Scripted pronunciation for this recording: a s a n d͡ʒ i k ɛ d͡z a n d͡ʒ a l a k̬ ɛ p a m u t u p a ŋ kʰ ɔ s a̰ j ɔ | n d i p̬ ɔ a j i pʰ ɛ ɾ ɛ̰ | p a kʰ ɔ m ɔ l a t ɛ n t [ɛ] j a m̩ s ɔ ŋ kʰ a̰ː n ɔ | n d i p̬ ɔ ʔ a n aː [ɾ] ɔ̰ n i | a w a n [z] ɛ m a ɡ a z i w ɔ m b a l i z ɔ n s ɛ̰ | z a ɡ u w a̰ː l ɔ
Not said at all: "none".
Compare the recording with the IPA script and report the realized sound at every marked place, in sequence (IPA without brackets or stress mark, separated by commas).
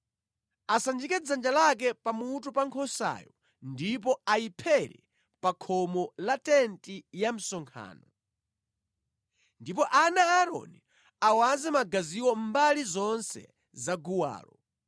i, ɾ, z